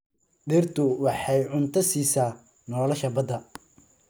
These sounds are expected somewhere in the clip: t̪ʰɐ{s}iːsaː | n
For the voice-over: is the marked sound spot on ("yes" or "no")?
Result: yes